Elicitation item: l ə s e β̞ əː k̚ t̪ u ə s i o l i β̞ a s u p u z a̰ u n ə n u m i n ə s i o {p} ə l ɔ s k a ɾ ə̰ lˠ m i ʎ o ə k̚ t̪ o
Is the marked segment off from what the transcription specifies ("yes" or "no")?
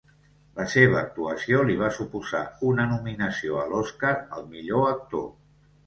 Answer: yes